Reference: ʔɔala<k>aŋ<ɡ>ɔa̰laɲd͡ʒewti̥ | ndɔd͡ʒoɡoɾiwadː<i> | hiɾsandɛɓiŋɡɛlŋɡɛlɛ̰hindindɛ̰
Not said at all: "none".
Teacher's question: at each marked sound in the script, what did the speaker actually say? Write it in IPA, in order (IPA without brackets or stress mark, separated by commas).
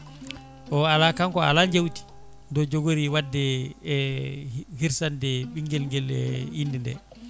k, k, ɛ